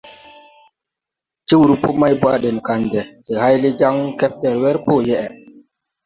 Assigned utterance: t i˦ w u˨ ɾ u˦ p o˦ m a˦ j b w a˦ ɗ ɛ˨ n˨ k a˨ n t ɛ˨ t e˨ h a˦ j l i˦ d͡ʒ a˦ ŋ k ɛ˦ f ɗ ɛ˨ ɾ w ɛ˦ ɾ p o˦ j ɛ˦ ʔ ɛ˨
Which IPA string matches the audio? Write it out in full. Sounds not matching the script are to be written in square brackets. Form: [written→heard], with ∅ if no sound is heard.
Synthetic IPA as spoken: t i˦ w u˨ ɾ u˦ p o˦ m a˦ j b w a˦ ɗ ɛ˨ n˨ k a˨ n [t→d] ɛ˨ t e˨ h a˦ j l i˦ d͡ʒ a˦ ŋ k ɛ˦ f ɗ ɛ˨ ɾ w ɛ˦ ɾ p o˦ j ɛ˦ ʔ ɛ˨